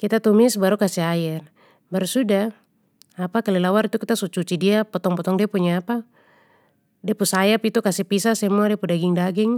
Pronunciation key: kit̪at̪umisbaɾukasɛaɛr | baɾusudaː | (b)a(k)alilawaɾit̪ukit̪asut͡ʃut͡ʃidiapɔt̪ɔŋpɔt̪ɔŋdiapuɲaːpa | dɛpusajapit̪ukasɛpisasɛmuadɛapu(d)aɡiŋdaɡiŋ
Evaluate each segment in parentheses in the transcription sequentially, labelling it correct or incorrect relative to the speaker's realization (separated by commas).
incorrect, correct, correct